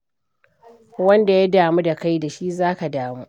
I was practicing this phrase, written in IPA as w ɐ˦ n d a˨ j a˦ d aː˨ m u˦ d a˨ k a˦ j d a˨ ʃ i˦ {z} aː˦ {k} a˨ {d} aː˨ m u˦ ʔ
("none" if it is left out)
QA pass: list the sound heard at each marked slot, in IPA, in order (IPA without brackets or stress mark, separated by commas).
z, k, d